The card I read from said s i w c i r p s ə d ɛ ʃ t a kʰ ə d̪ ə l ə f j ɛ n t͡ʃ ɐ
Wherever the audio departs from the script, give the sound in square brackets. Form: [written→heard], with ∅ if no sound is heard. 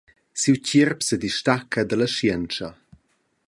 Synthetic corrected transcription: s i w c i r p s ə d [ɛ→i] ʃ t a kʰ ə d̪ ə l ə [f→ʃ] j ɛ n t͡ʃ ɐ